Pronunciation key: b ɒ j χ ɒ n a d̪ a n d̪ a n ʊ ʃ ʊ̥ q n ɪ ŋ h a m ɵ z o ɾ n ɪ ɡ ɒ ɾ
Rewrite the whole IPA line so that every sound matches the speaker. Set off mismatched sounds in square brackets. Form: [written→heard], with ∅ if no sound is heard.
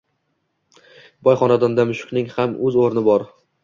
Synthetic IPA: b ɒ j χ ɒ n a d̪ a n d̪ a [n→m] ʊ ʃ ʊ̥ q n ɪ ŋ h a m ɵ z o ɾ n ɪ [ɡ→b] ɒ ɾ